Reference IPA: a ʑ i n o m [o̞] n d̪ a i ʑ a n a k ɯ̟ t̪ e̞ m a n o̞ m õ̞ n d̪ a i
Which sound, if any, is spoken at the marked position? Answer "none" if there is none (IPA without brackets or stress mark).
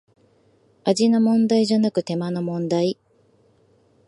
õ̞